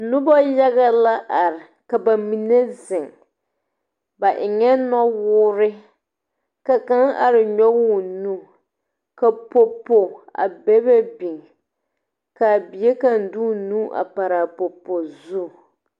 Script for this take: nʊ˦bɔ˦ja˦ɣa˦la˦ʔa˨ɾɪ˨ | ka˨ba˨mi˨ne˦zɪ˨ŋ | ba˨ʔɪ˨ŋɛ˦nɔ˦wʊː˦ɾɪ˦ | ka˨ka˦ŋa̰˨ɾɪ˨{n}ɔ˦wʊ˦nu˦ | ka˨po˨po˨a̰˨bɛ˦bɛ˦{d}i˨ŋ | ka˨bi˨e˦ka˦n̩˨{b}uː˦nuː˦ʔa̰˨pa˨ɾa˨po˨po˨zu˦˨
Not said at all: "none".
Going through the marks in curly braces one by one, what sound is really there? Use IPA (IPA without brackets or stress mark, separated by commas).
ɲ, b, d